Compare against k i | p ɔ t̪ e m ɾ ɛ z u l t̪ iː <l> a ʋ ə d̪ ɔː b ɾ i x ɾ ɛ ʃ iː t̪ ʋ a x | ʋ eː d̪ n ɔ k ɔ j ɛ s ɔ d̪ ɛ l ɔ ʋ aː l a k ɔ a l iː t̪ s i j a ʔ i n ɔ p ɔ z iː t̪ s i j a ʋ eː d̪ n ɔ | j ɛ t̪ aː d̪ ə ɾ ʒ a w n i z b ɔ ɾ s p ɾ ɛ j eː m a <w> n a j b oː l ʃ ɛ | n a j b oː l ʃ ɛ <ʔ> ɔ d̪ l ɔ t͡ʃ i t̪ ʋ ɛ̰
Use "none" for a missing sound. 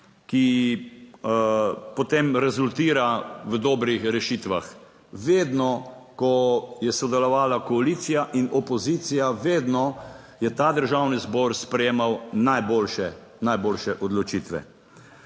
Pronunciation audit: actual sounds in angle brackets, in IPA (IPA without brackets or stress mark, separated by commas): ɾ, w, ʔ